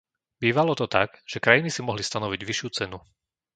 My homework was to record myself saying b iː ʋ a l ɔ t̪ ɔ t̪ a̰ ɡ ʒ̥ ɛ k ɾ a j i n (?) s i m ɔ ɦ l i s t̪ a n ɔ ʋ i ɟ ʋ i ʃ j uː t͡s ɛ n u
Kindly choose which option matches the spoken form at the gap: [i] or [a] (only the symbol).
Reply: i